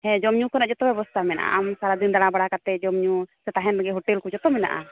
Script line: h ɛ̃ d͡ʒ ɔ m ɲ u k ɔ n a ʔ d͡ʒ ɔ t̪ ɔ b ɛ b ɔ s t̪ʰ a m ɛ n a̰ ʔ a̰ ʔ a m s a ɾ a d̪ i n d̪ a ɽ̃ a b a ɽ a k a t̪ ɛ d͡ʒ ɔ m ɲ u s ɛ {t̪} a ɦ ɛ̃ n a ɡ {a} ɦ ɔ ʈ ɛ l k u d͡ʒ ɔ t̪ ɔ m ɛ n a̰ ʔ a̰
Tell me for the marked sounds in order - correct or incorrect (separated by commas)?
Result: correct, incorrect